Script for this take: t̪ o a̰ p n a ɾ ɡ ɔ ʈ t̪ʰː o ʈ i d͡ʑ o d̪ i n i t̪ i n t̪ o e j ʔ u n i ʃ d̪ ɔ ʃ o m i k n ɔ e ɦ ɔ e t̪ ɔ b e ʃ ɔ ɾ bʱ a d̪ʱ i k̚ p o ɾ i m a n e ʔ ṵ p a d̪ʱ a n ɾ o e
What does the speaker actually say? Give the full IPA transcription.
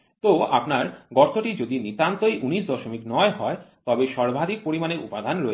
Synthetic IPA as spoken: t̪ o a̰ p n a ɾ ɡ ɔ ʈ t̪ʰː o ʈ i d͡ʑ o d̪ i n i t̪ a n t̪ o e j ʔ u n i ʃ d̪ ɔ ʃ o m i k n ɔ e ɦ ɔ e t̪ ɔ b e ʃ ɔ ɾ bʱ a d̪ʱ i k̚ p o ɾ i m a n e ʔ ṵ p a d̪ʱ a n ɾ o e